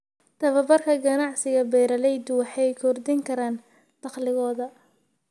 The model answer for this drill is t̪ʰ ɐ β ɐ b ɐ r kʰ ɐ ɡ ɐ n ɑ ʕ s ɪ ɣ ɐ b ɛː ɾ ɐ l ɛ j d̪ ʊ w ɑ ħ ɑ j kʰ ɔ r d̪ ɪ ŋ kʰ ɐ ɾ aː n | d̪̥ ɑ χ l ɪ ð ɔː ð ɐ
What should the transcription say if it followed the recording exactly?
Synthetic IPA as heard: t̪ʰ ɐ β ɐ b ɐ r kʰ ɐ ɡ ɐ n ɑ ʕ s ɪ ɣ ɐ b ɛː ɾ ɐ l ɛ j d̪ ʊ w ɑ ħ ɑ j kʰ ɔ r d̪ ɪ ŋ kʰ ɐ ɾ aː n | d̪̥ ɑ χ l ɪ ɣ ɔː ð ɐ

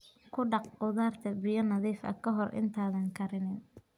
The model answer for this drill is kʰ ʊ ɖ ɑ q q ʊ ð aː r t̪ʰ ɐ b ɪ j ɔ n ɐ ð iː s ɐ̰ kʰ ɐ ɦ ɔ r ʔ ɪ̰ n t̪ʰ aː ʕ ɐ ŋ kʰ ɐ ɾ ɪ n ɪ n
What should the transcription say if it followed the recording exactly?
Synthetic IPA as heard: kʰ ʊ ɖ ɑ q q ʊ ð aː r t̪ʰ ɐ b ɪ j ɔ n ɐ ð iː f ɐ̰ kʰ ɐ ɦ ɔ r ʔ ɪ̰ n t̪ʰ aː ð ɐ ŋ kʰ ɐ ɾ ɪ n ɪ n

